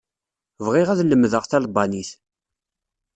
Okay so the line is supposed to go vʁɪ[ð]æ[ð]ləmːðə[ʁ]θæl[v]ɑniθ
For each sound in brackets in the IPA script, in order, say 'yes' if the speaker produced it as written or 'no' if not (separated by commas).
no, yes, yes, no